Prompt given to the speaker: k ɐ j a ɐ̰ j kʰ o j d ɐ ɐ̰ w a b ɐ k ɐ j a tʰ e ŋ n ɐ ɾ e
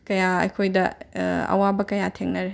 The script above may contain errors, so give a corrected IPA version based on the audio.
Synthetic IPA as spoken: k ɐ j a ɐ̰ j kʰ o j d ɐ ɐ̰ w a b ɐ k ɐ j a tʰ e ŋ n ɐ ɾ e